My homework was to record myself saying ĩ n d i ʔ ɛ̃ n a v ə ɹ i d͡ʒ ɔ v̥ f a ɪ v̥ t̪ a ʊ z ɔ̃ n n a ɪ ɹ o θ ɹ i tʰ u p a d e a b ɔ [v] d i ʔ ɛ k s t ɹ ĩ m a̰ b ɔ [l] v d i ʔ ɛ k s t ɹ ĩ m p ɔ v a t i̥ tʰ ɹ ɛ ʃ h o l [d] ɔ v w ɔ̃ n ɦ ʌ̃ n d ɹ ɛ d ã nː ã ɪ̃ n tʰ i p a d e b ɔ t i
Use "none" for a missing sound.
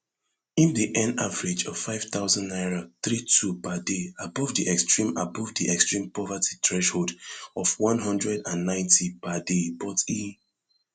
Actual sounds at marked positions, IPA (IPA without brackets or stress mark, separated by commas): v, none, d